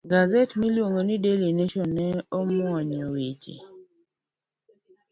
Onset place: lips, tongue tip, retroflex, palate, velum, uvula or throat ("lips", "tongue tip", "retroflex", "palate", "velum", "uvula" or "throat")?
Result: velum